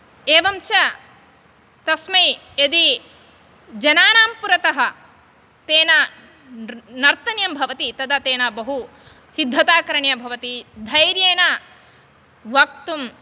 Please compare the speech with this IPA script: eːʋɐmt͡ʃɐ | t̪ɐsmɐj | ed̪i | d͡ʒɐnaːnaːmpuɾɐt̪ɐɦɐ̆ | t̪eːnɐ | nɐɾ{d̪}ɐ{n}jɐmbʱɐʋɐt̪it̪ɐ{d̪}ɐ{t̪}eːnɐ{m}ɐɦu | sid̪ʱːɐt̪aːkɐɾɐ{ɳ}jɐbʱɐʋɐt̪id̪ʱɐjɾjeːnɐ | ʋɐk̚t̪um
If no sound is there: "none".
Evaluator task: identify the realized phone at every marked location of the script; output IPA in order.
t̪, n, d̪, t̪, b, ɳ

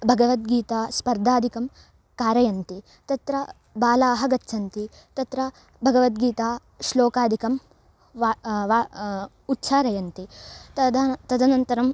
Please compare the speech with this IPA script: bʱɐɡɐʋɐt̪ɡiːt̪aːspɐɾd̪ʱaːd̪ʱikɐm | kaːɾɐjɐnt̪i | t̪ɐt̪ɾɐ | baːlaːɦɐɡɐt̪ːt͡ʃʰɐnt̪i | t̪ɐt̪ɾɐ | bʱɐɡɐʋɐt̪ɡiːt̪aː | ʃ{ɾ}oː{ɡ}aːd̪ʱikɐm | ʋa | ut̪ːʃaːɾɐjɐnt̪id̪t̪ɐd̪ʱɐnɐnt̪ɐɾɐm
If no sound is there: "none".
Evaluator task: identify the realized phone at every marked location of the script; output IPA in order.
l, k

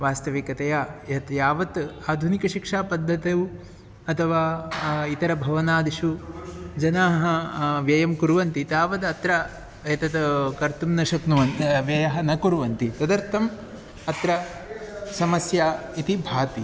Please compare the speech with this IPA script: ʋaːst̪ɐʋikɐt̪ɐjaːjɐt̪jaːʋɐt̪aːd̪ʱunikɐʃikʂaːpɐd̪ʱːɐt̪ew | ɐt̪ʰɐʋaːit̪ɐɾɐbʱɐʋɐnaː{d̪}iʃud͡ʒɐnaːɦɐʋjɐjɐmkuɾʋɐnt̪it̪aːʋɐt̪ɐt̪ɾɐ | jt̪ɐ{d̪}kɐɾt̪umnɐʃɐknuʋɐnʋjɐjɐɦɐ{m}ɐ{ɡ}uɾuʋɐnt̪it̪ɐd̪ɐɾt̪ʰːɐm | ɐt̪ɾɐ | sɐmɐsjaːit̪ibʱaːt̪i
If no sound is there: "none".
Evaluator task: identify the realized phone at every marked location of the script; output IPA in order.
d̪, t̪, n, k

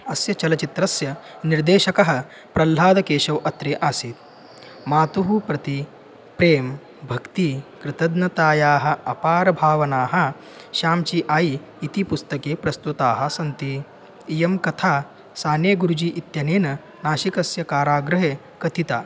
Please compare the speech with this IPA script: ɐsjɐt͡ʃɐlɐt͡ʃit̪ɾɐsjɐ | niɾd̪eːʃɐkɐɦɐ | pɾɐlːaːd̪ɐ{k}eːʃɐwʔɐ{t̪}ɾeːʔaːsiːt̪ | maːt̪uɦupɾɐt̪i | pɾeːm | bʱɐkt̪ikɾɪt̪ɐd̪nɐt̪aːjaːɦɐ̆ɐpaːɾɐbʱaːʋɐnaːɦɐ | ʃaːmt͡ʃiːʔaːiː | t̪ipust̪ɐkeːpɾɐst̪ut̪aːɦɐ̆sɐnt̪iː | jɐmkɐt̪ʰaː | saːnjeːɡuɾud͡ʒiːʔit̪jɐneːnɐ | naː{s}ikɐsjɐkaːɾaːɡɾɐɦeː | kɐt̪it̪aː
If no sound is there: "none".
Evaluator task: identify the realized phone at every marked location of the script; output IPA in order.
k, t̪, ʃ

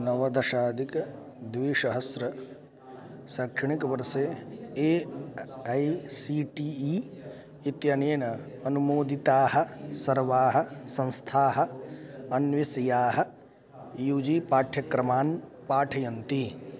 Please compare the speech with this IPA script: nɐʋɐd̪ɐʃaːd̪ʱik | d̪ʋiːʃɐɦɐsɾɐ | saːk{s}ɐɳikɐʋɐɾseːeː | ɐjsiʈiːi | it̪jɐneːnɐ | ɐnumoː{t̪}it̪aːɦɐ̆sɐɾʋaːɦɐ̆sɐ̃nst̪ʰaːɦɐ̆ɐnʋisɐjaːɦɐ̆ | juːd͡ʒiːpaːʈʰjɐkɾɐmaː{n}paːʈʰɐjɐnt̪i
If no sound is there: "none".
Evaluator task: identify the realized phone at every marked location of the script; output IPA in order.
ʂ, d̪, n

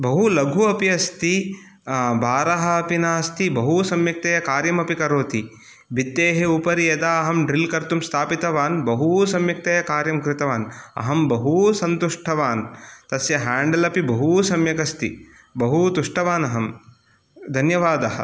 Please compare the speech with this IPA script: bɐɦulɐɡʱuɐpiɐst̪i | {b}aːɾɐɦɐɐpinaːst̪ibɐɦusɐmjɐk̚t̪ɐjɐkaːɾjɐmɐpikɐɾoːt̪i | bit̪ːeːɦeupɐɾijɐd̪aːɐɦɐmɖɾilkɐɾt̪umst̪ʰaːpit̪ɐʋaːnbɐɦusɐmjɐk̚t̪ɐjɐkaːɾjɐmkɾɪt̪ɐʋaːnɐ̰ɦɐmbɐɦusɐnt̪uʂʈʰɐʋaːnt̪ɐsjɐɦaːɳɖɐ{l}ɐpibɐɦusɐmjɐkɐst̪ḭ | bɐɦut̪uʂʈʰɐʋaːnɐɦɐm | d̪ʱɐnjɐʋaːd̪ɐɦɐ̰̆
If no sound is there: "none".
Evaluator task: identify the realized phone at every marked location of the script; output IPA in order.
b, l

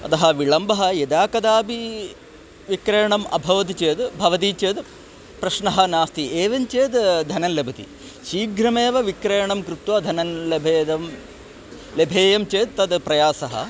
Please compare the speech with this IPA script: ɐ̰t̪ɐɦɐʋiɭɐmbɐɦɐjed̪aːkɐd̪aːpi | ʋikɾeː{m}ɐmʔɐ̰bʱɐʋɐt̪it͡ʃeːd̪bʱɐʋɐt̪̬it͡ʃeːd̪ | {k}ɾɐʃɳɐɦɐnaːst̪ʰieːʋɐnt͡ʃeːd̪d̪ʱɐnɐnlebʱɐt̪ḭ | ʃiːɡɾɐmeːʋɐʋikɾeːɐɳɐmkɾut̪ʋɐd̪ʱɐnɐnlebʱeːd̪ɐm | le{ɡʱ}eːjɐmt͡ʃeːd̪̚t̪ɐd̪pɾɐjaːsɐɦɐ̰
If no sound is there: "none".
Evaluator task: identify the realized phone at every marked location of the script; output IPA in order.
ɳ, p, bʱ

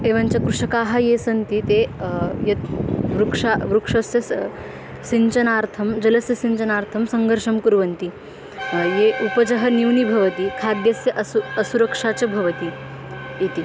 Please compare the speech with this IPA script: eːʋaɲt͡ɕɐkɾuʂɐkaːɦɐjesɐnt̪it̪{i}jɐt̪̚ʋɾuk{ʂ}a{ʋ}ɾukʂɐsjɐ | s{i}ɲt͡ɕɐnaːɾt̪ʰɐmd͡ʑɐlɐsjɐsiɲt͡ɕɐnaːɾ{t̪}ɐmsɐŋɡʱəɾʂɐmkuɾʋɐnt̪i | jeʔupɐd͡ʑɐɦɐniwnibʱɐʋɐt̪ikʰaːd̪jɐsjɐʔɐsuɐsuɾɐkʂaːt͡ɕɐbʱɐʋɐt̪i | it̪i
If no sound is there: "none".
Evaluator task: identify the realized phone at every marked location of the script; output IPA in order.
e, ʂ, ʋ, i, t̪ʰ

